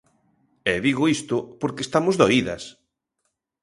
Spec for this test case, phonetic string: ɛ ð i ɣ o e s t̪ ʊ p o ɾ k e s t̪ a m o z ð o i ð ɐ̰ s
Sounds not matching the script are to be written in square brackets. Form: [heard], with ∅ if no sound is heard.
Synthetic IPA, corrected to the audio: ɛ ð i ɣ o [i] s t̪ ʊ p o ɾ k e s t̪ a m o z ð o i ð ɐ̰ s